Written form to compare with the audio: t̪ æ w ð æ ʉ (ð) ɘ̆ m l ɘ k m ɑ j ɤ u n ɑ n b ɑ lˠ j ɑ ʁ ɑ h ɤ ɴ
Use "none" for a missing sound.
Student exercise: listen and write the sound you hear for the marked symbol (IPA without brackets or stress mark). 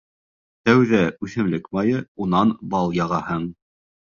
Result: θ